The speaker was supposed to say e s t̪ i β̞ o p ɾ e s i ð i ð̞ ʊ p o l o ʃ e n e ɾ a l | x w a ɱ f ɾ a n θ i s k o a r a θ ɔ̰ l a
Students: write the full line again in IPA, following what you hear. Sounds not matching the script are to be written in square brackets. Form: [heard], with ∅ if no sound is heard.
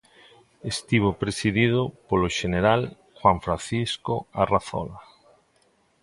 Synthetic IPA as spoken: e s t̪ i β̞ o p ɾ e s i ð i ð̞ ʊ p o l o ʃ e n e ɾ a l | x w a ɱ f ɾ a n θ i s k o a r a θ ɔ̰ l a